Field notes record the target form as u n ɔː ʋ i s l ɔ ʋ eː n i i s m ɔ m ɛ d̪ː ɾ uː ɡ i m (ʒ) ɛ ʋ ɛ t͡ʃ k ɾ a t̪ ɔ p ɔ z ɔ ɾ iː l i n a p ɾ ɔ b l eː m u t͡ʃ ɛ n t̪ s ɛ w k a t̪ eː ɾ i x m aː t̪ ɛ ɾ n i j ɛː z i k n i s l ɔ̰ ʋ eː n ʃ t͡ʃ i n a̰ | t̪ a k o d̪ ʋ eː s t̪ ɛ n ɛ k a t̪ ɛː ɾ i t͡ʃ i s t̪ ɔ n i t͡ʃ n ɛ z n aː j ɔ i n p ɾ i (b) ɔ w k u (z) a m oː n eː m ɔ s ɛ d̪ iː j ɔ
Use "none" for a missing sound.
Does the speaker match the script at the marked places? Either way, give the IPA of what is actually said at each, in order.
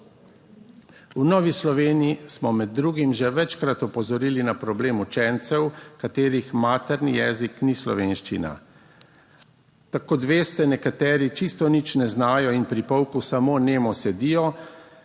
ʒ, p, s

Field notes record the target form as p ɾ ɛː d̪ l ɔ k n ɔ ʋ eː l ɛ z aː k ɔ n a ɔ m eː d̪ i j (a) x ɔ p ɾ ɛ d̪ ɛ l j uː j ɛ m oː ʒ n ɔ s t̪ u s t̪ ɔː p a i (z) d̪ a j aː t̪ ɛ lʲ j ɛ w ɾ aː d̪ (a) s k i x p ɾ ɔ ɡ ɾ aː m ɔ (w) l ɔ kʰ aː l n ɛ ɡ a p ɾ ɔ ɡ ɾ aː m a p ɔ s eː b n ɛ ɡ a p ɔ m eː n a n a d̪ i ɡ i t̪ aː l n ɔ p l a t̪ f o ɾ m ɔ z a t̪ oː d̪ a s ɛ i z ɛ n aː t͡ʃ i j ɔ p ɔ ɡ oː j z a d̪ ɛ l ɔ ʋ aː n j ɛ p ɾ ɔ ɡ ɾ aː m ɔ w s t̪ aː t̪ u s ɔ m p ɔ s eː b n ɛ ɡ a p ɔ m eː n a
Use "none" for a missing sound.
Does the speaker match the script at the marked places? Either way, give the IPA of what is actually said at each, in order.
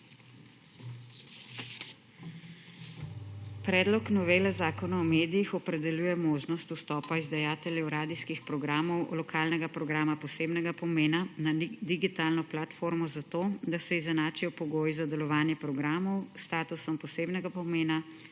i, z, i, w

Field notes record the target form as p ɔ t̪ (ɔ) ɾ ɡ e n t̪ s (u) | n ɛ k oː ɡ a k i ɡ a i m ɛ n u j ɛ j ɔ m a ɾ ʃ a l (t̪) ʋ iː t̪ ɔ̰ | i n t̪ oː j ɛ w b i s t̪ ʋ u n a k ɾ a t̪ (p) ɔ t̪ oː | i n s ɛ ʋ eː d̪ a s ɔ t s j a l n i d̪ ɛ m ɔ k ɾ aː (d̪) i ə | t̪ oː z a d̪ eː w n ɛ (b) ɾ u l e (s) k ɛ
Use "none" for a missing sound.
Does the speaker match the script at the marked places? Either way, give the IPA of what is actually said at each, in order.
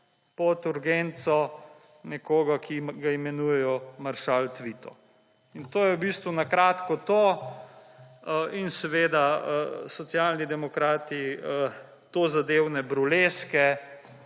u, ɔ, t̪, k, t̪, b, s

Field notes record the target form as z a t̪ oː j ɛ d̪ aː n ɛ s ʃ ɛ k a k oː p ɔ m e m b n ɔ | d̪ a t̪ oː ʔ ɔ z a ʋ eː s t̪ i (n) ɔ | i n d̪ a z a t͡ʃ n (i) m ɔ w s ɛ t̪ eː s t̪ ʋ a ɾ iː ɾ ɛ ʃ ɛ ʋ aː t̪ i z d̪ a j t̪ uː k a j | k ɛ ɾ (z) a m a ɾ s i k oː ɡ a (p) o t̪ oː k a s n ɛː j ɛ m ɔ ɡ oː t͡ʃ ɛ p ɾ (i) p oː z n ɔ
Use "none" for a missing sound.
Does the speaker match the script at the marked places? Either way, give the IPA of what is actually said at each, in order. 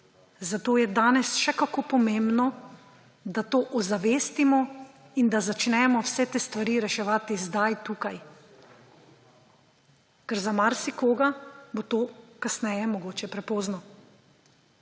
m, ɛ, z, b, ɛ

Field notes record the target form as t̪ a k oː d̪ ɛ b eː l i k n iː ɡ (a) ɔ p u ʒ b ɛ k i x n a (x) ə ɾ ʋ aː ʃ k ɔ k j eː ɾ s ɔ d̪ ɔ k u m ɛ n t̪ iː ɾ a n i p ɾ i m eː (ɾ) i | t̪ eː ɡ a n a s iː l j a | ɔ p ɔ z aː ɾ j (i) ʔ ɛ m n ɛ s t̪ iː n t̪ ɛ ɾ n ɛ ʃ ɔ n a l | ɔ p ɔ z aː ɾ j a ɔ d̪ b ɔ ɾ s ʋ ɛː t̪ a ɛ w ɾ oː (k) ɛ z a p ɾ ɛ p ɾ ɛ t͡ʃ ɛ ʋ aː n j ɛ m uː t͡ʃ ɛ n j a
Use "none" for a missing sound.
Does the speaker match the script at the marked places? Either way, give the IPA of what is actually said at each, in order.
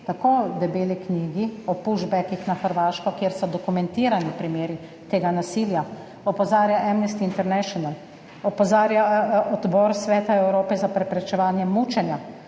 i, x, ɾ, a, p

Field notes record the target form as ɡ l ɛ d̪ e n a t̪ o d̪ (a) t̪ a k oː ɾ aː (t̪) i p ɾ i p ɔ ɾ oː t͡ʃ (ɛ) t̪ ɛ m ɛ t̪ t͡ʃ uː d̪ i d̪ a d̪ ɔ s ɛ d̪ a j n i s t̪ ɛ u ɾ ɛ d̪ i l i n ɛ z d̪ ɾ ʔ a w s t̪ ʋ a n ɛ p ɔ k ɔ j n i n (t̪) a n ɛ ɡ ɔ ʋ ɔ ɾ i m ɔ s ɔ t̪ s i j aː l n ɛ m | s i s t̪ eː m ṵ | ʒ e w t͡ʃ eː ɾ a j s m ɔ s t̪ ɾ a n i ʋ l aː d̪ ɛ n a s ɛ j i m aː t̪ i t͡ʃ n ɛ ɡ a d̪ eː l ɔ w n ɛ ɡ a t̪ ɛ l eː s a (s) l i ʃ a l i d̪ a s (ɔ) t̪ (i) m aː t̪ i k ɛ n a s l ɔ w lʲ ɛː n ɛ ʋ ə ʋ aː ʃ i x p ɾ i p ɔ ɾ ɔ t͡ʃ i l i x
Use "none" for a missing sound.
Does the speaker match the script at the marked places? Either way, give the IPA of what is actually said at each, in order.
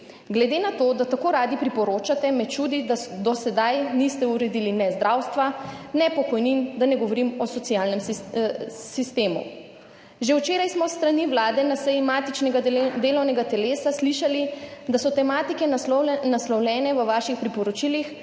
a, d̪, a, d̪, s, ɔ, ɛ

